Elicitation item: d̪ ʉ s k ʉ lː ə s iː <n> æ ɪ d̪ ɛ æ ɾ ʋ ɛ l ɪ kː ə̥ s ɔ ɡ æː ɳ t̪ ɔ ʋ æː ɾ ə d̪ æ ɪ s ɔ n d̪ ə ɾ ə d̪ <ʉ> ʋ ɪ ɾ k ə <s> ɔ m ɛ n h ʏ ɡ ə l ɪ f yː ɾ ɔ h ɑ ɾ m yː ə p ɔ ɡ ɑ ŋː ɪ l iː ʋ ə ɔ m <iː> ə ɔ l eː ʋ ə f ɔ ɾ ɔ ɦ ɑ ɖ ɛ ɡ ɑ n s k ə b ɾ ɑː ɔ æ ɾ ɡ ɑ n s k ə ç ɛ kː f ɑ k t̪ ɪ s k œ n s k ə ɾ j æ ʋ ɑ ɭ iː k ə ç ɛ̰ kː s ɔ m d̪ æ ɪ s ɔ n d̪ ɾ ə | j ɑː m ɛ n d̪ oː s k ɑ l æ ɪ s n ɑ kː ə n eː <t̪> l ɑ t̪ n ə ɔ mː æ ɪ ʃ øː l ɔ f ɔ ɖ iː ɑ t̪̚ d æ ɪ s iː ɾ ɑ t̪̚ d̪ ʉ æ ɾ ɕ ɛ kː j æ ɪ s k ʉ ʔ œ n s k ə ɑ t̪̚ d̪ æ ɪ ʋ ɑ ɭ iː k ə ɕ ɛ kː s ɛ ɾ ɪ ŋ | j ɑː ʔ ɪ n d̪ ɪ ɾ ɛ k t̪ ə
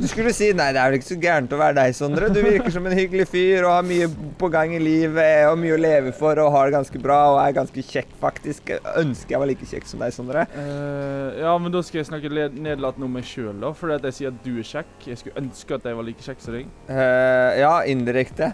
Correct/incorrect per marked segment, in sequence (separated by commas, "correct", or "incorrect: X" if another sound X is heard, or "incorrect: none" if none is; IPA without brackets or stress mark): correct, correct, incorrect: ʂ, incorrect: yː, incorrect: d̪